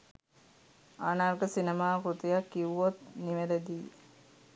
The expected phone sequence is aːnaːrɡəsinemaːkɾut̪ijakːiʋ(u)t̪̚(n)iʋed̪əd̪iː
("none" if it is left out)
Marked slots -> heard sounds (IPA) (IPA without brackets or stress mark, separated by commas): o, n